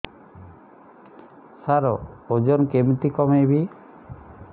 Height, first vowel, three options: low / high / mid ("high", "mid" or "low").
low